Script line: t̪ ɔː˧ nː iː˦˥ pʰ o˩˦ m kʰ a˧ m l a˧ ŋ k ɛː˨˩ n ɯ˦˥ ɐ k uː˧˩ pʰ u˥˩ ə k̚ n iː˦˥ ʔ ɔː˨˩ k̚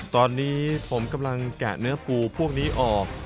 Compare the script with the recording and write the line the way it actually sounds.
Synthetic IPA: t̪ ɔː˧ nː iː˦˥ pʰ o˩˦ m k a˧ m l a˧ ŋ k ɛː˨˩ n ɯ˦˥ ɐ p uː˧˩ pʰ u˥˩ ə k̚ n iː˦˥ ʔ ɔː˨˩ k̚